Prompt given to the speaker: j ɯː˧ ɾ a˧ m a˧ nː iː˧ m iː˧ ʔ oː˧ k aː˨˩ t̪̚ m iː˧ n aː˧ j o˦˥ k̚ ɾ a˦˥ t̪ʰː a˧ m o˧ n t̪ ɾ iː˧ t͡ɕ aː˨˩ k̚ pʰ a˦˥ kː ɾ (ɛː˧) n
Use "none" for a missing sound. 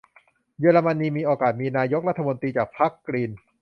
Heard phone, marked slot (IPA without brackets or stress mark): iː˧